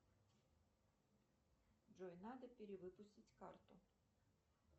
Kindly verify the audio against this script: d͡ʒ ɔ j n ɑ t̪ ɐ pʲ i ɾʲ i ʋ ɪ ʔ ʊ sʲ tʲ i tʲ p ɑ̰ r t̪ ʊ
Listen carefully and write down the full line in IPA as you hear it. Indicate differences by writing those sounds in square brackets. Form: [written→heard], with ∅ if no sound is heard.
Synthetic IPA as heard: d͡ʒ ɔ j n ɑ [t̪→d̪] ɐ pʲ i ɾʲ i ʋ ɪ [ʔ→p] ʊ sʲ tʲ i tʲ [p→k] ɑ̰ r t̪ ʊ